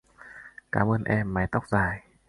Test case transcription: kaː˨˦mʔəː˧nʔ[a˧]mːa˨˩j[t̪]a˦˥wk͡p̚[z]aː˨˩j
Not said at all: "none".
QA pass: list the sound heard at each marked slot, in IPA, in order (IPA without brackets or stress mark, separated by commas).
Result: ɛ˧, t̪, z